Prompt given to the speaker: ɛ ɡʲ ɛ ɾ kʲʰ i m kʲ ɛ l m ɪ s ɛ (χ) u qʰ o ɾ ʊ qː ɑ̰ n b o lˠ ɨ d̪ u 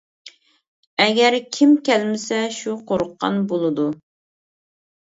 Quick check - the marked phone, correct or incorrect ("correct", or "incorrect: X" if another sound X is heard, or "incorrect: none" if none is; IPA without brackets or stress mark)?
incorrect: ʃ